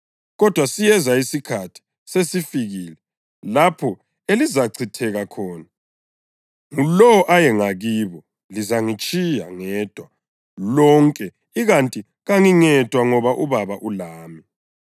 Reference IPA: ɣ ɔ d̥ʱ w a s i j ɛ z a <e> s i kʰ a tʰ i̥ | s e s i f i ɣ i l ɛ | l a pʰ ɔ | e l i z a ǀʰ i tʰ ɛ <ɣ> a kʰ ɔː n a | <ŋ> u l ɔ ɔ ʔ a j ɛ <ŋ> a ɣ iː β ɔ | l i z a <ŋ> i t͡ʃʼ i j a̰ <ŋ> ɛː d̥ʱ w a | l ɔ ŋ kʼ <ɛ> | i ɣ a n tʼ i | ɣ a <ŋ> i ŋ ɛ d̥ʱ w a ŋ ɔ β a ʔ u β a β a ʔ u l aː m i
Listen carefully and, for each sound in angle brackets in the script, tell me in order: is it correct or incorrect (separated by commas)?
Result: incorrect, correct, correct, correct, correct, correct, correct, correct